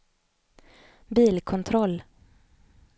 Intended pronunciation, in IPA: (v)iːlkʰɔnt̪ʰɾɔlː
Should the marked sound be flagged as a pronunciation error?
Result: yes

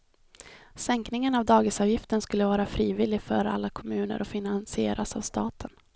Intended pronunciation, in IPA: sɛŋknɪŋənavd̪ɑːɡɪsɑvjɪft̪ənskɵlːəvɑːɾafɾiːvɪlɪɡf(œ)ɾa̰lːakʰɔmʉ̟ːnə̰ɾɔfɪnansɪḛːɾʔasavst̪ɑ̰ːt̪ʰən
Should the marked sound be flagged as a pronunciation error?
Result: no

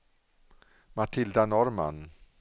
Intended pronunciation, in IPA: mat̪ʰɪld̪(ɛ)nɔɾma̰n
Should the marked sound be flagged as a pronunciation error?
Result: yes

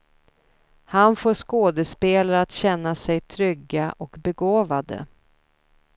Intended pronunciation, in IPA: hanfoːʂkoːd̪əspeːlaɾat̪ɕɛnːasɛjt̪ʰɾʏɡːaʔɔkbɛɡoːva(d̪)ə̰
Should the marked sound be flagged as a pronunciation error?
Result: no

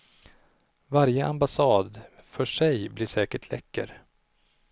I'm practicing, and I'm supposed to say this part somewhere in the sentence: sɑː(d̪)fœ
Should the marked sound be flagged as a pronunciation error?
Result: no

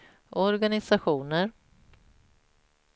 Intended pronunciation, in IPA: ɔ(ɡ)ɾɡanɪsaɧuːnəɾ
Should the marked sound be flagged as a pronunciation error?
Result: yes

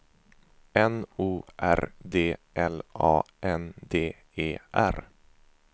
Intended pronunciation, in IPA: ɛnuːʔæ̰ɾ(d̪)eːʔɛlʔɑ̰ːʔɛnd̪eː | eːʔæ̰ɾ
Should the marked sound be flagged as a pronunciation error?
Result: no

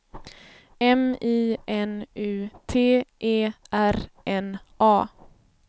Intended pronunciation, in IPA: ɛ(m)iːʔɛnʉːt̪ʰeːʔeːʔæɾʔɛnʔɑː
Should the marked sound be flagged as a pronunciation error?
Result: no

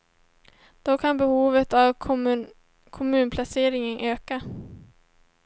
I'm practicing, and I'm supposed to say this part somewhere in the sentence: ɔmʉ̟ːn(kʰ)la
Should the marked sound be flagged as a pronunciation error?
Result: yes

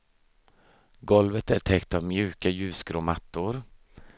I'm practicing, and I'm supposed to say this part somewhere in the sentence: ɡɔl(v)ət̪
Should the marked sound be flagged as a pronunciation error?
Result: no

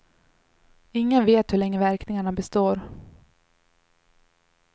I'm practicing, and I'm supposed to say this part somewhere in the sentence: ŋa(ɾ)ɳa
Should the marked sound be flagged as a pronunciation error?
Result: yes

